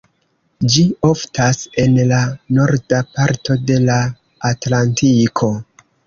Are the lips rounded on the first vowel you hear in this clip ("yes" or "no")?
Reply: no